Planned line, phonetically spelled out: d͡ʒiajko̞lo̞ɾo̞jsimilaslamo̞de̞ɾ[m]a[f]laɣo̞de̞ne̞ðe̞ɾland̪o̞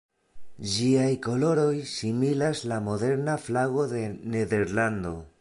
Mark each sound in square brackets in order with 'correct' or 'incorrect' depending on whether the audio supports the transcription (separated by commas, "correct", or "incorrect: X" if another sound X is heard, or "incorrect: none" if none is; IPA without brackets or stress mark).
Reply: incorrect: n, correct